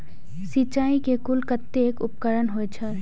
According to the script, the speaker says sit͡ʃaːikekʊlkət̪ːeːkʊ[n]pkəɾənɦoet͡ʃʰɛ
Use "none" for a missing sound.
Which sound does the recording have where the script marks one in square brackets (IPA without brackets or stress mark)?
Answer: none